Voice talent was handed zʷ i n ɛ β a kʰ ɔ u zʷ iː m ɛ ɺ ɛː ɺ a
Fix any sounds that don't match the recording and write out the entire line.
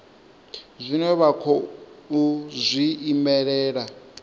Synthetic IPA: zʷ i n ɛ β a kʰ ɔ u zʷ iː m ɛ ɺ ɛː ɺ a